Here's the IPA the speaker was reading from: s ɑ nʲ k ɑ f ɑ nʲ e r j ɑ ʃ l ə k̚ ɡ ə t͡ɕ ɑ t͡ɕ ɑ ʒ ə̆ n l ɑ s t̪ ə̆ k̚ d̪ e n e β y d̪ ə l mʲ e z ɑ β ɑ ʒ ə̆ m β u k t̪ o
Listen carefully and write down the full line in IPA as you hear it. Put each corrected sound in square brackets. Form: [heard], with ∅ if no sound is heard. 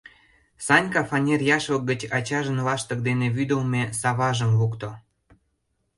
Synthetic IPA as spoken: s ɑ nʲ k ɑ f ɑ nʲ e r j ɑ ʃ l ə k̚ ɡ ə t͡ɕ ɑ t͡ɕ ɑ ʒ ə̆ n l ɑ [ʃ] t̪ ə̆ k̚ d̪ e n e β y d̪ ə l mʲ e [s] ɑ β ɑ ʒ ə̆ m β u k t̪ o